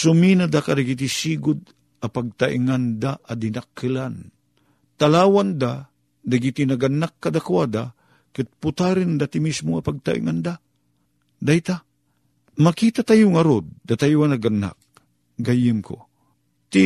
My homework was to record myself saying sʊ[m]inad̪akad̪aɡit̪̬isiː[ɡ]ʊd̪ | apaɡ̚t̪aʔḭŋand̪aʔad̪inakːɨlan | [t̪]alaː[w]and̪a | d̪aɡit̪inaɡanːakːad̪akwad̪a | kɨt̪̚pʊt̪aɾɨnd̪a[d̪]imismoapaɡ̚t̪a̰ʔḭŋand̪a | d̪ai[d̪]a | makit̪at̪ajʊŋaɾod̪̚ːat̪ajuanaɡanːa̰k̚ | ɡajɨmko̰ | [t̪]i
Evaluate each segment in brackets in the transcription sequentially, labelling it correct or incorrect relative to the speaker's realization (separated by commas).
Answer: correct, correct, correct, correct, incorrect, incorrect, correct